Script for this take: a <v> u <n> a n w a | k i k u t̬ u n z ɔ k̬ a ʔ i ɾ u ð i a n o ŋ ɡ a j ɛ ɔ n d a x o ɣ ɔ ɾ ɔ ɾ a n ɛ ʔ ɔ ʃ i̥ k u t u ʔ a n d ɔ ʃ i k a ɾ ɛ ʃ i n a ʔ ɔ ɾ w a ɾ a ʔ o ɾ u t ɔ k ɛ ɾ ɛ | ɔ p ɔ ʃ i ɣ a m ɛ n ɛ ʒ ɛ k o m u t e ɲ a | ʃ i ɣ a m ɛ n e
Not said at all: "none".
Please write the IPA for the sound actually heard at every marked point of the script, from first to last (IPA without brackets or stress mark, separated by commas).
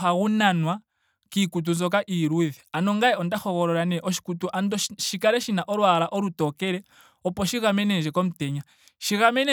ɣ, n